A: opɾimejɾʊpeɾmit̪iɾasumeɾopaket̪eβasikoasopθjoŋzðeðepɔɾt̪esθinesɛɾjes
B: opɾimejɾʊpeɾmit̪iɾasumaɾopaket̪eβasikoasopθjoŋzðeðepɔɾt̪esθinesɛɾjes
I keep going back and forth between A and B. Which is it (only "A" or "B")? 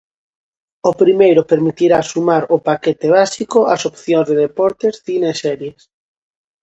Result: B